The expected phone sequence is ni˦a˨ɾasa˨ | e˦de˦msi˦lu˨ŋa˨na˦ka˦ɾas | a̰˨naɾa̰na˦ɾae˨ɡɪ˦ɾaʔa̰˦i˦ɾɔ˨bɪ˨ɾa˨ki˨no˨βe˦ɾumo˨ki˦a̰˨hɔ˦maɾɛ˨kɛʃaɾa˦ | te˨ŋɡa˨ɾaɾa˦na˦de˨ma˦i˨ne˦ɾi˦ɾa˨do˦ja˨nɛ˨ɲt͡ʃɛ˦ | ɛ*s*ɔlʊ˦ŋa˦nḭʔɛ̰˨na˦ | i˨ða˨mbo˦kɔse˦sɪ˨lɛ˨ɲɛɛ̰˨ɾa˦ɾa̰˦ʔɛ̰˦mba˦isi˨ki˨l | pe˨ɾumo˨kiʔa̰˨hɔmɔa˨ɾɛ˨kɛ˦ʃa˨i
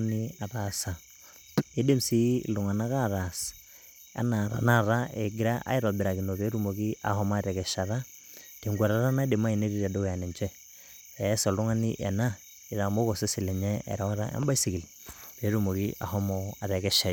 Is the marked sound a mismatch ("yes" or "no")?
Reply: no